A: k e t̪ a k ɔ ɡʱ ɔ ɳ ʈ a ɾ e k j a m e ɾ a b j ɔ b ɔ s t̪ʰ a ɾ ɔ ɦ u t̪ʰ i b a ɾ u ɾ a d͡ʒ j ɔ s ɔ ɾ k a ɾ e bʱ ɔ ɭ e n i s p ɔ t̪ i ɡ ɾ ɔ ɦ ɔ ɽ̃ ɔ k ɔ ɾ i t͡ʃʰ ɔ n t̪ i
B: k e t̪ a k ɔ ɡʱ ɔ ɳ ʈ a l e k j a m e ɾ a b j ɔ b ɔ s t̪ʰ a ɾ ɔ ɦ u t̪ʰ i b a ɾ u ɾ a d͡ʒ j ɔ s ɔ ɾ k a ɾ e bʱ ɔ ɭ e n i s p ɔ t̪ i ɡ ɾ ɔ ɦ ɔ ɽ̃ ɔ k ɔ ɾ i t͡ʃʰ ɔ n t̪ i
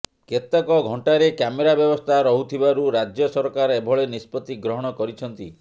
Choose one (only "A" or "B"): A